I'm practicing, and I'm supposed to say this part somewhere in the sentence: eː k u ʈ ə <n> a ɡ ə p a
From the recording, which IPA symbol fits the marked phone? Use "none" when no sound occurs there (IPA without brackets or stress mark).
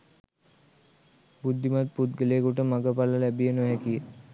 m